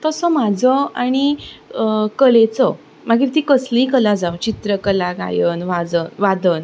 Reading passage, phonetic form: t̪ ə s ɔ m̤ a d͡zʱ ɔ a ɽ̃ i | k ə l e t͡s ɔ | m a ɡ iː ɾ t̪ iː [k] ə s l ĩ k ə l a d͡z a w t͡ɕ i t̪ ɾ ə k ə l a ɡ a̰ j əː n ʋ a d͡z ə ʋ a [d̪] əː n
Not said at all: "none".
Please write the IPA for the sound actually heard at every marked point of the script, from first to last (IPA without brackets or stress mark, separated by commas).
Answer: k, d̪